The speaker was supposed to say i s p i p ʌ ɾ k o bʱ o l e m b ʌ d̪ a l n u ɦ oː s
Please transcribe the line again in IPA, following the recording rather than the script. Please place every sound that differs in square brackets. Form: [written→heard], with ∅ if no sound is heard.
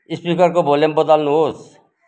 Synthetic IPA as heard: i s p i [p→k] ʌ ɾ k o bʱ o l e m b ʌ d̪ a l n u ɦ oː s

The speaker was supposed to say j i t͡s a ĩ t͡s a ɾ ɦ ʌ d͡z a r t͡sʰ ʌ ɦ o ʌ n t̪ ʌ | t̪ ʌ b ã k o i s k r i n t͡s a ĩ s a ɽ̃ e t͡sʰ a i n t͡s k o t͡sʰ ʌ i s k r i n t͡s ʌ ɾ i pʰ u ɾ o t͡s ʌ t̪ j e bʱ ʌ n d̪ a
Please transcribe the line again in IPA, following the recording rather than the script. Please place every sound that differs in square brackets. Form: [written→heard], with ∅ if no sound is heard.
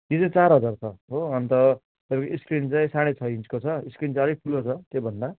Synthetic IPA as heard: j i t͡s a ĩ t͡s a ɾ ɦ ʌ d͡z a r t͡sʰ ʌ ɦ o ʌ n t̪ ʌ | t̪ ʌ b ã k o i s k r i n t͡s a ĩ s a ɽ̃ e t͡sʰ [a→ʌ] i n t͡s k o t͡sʰ ʌ i s k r i n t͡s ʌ ɾ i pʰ u [ɾ→l] o [t͡s→t͡sʰ] ʌ t̪ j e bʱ ʌ n d̪ a

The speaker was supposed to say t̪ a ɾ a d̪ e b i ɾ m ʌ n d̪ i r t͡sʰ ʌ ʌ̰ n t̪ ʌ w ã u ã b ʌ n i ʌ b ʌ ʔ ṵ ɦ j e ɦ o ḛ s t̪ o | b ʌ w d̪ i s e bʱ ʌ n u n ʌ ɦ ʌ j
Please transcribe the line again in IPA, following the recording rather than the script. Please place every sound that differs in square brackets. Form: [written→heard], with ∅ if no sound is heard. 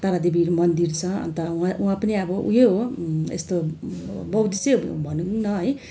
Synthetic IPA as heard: t̪ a ɾ a d̪ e b i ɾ m ʌ n d̪ i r t͡sʰ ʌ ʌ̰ n t̪ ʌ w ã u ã [b→p] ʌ n i ʌ b ʌ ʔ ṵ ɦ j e ɦ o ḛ s t̪ o | b ʌ w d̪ i s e bʱ ʌ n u n ʌ ɦ ʌ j

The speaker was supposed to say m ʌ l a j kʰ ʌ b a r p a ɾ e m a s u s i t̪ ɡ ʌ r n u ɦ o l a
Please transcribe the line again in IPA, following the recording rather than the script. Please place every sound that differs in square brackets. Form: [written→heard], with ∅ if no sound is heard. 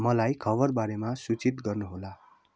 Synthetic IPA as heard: m ʌ l a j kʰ ʌ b [a→ʌ] r [p→b] a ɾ e m a s u [s→t͡s] i t̪ ɡ ʌ r n u ɦ o l a

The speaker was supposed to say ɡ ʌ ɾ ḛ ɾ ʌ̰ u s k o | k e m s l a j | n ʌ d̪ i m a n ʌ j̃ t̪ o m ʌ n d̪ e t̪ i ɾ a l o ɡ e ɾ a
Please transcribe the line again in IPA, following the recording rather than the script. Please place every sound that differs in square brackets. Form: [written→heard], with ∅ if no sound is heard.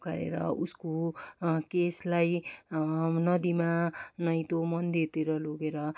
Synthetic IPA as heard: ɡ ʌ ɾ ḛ ɾ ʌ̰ u s k o | k e [m→∅] s l a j | n ʌ d̪ i m a n ʌ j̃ t̪ o m ʌ n d̪ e t̪ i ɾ [a→ʌ] l o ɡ e ɾ [a→ʌ]

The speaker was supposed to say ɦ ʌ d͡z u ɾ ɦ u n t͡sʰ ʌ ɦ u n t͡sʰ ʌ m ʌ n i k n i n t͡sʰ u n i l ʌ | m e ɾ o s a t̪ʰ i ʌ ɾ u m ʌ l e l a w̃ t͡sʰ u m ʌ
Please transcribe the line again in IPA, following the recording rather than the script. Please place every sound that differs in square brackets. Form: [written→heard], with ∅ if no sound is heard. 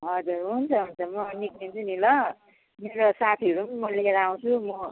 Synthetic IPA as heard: ɦ ʌ d͡z u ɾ ɦ u n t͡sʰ ʌ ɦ u n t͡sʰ ʌ m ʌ n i k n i n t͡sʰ u n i l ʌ | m e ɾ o s a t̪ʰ i ʌ ɾ u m ʌ l e [l→ɾ] a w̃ t͡sʰ u m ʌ

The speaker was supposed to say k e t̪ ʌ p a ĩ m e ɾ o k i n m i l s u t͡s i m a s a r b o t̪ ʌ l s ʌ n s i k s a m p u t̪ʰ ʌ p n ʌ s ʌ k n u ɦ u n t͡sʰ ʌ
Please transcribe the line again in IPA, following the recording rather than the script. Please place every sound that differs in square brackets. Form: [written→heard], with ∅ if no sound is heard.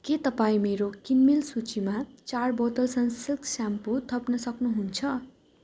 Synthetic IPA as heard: k e t̪ ʌ p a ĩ m e ɾ o k i n m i l s u t͡s i m a [s→t͡s] a r b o t̪ ʌ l s ʌ n s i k s a m p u t̪ʰ ʌ p n ʌ s ʌ k n u ɦ u n t͡sʰ ʌ

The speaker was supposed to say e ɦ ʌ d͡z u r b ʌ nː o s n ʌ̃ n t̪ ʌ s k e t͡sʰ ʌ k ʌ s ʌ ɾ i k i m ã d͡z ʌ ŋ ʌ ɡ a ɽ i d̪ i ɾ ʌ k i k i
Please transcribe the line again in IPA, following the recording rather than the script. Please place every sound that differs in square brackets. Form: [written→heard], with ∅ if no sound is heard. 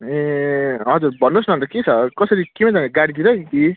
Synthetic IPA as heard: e ɦ ʌ d͡z u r b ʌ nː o s n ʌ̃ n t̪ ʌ [s→∅] k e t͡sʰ ʌ k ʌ s ʌ ɾ i k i m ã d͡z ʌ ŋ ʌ ɡ a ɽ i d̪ i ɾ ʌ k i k i

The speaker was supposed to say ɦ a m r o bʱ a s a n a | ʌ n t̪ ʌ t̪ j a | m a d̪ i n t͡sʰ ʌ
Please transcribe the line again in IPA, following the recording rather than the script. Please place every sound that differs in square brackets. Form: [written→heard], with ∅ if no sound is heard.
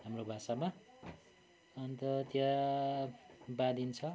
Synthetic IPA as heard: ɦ a m r o bʱ a s a [n→m] a | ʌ n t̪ ʌ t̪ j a | [m→b] a d̪ i n t͡sʰ ʌ

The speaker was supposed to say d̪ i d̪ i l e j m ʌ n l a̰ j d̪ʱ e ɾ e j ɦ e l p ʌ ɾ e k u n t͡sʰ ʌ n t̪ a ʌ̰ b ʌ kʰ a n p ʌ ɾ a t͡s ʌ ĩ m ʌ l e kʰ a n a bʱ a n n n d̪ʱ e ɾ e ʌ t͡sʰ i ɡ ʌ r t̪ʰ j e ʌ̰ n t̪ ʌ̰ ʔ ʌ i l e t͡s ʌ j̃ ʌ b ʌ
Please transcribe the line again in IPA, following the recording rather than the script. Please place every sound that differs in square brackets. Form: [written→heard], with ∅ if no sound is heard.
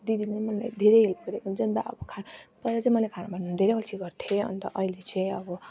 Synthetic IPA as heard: d̪ i d̪ i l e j m ʌ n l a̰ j d̪ʱ e ɾ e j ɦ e l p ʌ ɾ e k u n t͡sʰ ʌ n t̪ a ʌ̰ b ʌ kʰ a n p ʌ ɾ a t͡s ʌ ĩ m ʌ l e kʰ a n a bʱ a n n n d̪ʱ e ɾ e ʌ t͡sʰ i ɡ ʌ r t̪ʰ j e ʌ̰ n t̪ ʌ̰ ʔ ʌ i l e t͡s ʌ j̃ ʌ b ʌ

